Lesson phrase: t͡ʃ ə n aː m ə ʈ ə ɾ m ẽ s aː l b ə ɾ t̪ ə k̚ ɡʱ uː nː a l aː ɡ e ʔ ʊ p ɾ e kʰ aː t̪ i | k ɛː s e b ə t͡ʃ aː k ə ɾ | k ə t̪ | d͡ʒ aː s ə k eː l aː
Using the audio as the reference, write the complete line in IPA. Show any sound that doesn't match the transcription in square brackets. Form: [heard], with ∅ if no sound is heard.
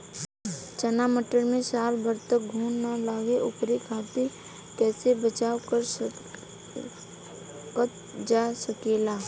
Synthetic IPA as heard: t͡ʃ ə n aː m ə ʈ ə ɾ m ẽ s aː l b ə ɾ t̪ ə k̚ ɡʱ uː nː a l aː ɡ e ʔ ʊ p ɾ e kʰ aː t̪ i | k ɛː s e b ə t͡ʃ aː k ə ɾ | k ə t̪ | d͡ʒ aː s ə k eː l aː